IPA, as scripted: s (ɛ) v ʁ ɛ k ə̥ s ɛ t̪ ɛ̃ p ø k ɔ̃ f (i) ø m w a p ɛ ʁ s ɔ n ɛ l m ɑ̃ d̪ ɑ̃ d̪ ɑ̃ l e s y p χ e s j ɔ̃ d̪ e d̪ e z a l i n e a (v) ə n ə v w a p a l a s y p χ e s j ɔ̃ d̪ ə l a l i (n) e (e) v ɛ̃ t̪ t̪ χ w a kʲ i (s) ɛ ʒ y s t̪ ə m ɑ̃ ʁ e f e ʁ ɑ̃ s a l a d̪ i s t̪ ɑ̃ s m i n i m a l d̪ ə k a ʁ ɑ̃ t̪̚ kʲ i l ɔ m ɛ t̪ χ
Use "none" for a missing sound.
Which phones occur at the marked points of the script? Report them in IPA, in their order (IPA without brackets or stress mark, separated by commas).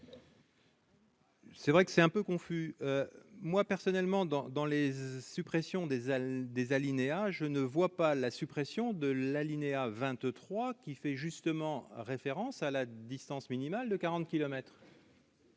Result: ɛ, y, ʒ, n, a, f